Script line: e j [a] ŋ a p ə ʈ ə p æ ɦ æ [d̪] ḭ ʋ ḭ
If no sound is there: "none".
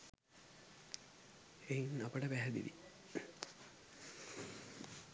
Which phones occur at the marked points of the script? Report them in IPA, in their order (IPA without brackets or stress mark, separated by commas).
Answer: i, d̪